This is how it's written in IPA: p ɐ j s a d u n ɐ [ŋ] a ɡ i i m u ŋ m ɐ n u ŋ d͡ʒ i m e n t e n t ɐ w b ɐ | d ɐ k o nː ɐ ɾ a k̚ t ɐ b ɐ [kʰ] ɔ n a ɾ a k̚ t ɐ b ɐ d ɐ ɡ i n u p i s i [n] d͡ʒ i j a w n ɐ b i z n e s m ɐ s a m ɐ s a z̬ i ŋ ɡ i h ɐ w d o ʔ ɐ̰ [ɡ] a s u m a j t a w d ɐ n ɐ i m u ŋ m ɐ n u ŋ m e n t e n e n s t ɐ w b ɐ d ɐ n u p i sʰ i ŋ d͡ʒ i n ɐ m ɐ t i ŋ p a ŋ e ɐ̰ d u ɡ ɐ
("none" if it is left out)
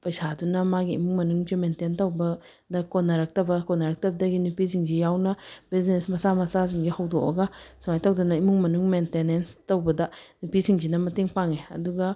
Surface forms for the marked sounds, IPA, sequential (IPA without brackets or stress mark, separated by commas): m, k, ŋ, ɡ